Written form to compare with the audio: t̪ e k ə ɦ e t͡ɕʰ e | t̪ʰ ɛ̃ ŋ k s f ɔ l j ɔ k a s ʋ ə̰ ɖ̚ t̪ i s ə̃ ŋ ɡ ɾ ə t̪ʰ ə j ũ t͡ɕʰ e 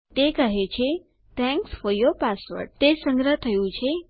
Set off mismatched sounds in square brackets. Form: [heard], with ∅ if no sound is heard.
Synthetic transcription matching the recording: t̪ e k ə ɦ e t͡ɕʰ e | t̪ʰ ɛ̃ ŋ k s f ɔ [ɾ] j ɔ [p] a s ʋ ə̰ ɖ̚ t̪ [e] s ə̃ ŋ ɡ ɾ ə t̪ʰ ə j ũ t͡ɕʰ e